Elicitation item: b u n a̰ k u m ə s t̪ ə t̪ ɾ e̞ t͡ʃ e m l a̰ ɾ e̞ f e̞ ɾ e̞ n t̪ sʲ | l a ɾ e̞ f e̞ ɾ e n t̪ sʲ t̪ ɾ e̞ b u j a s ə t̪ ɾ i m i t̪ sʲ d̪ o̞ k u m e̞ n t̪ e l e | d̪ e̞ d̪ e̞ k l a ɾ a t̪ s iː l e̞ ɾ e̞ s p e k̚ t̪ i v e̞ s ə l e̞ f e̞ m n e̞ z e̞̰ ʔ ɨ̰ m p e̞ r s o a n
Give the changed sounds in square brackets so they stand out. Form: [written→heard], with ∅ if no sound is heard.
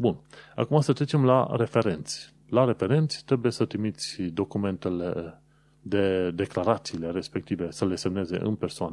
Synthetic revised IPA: b u n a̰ k u m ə s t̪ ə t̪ ɾ e̞ t͡ʃ e m l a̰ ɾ e̞ f e̞ ɾ e̞ n t̪ sʲ | l a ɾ e̞ f e̞ ɾ e n t̪ sʲ t̪ ɾ e̞ b u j [a→e] s ə t̪ ɾ i m i t̪ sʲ d̪ o̞ k u m e̞ n t̪ e l e | d̪ e̞ d̪ e̞ k l a ɾ a t̪ s iː l e̞ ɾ e̞ s p e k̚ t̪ i v e̞ s ə l e̞ [f→s] e̞ m n e̞ z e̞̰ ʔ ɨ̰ [m→n] p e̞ r s o a n